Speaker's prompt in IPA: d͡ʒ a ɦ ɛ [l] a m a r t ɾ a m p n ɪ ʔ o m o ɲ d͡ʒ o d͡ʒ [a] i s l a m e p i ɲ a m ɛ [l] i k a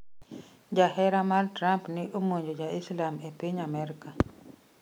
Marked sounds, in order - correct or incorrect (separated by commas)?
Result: incorrect, correct, incorrect